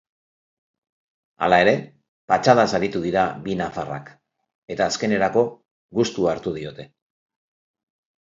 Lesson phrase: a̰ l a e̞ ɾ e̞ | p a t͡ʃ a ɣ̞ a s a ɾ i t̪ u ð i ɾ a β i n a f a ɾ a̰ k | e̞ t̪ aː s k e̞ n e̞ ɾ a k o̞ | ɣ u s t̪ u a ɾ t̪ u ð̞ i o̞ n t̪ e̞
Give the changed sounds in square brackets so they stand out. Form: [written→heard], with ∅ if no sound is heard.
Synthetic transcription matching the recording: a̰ l a e̞ ɾ e̞ | p a t͡ʃ a [ɣ̞→ð̞] a s a ɾ i t̪ u ð i ɾ a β i n a f a [ɾ→r] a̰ k | e̞ t̪ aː s k e̞ n e̞ ɾ a k o̞ | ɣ u s t̪ u a ɾ t̪ u ð̞ i o̞ [n→∅] t̪ e̞